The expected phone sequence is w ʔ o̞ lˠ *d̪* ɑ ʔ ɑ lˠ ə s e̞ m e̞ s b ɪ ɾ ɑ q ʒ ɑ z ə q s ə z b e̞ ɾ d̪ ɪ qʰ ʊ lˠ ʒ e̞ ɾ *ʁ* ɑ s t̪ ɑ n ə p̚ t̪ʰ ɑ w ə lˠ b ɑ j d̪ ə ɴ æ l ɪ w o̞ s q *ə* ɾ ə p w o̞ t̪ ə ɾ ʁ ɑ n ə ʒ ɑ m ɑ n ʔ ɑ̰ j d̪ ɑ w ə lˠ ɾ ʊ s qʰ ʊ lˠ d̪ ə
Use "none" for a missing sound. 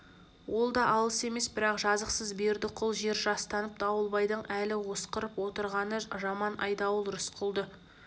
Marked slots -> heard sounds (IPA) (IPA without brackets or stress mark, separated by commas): d̪, ʒ, ə